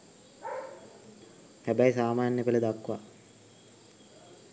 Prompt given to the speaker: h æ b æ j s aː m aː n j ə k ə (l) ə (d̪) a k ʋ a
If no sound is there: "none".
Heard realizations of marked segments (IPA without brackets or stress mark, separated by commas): l, d̪